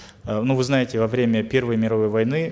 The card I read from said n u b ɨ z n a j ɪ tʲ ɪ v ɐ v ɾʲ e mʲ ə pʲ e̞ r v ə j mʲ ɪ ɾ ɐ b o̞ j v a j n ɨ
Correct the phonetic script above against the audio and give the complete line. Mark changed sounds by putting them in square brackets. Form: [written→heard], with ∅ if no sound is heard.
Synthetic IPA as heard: n u [b→v] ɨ z n a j ɪ tʲ ɪ v ɐ v ɾʲ e mʲ ə pʲ e̞ r v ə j mʲ ɪ ɾ ɐ [b→v] o̞ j v [a→ɐ] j n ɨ